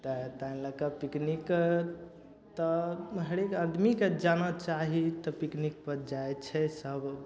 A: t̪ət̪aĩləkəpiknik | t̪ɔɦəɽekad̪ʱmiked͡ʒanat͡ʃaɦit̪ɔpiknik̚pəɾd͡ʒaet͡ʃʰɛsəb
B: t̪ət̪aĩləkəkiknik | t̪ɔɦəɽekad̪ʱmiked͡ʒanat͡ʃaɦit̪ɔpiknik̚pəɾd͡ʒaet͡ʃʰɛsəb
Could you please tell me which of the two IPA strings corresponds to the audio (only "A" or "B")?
A